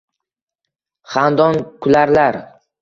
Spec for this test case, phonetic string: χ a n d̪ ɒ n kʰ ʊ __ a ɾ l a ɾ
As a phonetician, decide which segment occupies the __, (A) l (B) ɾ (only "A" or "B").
A